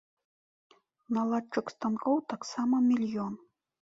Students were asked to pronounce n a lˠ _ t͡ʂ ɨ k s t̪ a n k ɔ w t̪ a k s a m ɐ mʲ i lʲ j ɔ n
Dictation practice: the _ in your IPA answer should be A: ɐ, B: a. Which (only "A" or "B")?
B